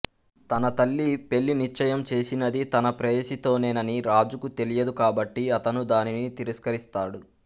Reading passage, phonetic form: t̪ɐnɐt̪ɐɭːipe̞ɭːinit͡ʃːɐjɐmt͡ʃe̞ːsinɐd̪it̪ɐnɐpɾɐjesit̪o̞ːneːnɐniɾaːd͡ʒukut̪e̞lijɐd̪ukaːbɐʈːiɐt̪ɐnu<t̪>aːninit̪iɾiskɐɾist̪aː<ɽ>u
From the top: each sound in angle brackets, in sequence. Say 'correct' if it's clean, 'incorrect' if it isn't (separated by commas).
incorrect, correct